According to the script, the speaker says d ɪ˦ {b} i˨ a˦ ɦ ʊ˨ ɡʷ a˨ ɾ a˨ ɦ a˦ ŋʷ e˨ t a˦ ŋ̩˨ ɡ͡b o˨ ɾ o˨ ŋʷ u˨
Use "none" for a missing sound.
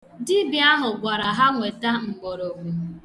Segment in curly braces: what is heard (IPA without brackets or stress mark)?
b